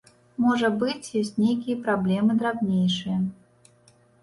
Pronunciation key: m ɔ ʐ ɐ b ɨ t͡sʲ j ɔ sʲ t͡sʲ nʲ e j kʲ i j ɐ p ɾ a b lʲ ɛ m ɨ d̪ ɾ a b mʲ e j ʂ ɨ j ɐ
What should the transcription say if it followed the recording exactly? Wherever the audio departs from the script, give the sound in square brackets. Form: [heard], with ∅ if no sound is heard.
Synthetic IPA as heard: m ɔ ʐ ɐ b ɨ t͡sʲ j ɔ sʲ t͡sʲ nʲ e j kʲ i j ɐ p ɾ a b lʲ ɛ m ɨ d̪ ɾ a b [nʲ] e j ʂ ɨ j ɐ